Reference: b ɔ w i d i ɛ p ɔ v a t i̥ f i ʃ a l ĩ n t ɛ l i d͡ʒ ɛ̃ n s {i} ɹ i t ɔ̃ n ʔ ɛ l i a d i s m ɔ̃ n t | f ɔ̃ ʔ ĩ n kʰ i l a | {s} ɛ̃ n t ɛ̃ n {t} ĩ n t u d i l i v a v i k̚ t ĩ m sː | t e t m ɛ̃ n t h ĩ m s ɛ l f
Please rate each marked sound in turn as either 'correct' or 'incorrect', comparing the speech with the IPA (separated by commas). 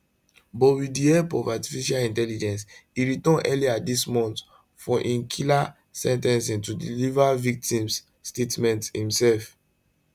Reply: correct, correct, incorrect